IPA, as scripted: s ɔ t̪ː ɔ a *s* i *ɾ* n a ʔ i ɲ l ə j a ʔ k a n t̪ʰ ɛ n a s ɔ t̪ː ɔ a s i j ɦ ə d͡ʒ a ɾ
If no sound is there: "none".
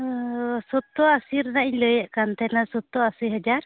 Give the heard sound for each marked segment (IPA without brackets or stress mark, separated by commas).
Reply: s, ɾ